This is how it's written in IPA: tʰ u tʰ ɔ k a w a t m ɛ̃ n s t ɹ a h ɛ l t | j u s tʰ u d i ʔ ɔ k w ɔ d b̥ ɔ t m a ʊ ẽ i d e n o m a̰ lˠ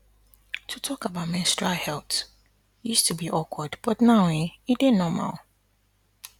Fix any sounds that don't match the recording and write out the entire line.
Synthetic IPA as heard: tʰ u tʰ ɔ k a b a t m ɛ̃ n s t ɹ a h ɛ l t | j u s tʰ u b i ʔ ɔ k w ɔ d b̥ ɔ t n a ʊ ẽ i d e n ɔ m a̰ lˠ